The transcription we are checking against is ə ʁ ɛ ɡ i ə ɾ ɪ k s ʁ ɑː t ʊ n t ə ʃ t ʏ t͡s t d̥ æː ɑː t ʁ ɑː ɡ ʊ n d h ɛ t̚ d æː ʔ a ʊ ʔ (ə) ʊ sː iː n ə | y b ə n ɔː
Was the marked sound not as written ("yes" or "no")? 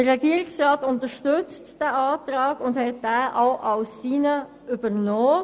yes